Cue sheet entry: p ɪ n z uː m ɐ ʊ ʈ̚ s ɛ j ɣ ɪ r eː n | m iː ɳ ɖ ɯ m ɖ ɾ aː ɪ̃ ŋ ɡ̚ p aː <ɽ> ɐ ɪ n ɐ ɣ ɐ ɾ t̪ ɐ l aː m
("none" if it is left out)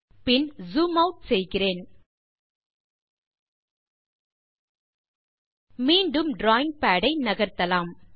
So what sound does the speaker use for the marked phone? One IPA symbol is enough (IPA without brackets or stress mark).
ɽ